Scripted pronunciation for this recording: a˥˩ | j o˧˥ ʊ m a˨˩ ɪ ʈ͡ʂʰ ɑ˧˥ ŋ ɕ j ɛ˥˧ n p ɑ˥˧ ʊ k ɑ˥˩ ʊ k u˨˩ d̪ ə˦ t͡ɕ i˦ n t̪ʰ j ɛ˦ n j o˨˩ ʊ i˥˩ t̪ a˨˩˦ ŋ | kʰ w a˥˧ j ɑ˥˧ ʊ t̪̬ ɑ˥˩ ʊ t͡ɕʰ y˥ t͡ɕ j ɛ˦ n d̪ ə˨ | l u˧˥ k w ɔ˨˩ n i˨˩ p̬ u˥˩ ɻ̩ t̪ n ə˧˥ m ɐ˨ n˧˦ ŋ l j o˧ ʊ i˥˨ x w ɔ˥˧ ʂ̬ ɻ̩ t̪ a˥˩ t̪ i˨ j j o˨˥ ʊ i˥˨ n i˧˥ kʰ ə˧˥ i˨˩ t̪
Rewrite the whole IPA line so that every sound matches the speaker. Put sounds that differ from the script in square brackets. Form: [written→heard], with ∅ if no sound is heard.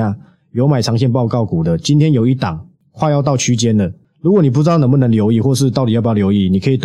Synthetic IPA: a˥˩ | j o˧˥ ʊ m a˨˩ ɪ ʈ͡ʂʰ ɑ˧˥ ŋ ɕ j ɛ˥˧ n p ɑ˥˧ ʊ k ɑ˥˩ ʊ k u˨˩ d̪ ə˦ t͡ɕ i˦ n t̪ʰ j ɛ˦ n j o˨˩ ʊ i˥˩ t̪ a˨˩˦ ŋ | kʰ w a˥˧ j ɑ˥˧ ʊ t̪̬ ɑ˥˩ ʊ t͡ɕʰ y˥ t͡ɕ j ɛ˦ n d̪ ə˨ | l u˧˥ k w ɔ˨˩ n i˨˩ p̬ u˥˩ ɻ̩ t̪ n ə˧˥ m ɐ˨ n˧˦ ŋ l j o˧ ʊ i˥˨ x w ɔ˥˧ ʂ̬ ɻ̩ t̪ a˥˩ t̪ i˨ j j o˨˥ ʊ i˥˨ n [i˧˥→i˨˩] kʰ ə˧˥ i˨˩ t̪